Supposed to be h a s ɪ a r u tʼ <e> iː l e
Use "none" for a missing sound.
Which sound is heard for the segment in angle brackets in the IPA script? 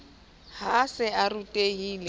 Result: e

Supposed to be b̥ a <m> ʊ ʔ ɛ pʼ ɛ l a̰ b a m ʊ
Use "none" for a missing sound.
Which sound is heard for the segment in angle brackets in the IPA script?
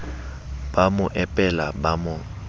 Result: m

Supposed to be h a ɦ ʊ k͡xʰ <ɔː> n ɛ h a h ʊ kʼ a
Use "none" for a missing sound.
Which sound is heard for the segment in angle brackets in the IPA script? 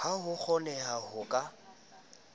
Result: ɔ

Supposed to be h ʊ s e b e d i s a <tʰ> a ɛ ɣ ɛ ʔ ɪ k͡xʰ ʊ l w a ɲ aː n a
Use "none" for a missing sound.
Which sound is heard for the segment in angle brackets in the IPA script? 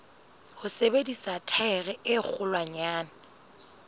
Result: tʰ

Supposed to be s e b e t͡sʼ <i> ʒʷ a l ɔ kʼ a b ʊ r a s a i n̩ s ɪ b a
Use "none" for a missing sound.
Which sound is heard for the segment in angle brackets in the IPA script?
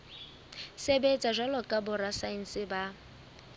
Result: a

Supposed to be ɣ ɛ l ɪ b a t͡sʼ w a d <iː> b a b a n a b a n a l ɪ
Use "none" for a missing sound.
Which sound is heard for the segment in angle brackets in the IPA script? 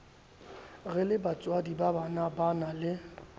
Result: i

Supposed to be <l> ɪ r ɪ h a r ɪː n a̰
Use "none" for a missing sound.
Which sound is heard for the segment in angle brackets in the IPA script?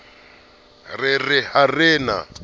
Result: r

